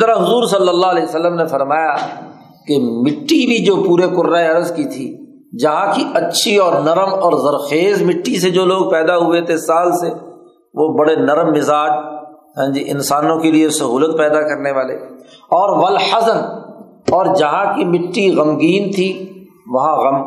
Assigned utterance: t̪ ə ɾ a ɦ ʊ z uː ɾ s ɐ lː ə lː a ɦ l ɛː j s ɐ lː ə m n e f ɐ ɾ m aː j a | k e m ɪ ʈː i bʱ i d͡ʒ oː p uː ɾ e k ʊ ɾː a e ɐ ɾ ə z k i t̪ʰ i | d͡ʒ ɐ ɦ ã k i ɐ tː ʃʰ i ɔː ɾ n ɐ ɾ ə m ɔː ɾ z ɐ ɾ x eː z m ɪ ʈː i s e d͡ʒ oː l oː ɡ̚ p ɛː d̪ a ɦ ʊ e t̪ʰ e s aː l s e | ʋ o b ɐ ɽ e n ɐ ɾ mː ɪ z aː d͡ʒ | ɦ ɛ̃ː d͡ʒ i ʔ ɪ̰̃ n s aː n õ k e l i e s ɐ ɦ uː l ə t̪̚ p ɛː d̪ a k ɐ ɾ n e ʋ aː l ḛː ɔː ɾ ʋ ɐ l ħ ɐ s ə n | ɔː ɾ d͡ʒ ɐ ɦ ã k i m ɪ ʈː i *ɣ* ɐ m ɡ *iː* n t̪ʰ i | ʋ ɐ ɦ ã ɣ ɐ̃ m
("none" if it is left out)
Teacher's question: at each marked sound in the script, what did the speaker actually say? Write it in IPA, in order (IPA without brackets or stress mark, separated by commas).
ɣ, iː